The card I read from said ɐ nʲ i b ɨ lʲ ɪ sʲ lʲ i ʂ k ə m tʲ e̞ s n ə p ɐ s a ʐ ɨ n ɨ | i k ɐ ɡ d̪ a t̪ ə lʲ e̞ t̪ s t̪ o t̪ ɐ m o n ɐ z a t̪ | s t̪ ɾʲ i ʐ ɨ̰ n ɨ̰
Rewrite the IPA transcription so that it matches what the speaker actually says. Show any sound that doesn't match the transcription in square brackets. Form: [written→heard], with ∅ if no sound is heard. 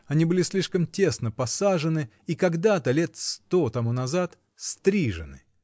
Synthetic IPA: ɐ nʲ i b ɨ lʲ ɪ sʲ lʲ i ʂ k ə m tʲ e̞ s n ə p ɐ s a ʐ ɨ n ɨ | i k ɐ ɡ d̪ a t̪ ə lʲ e̞ t̪ s t̪ o t̪ ɐ m [o→u] n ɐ z a t̪ | s t̪ ɾʲ i ʐ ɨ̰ n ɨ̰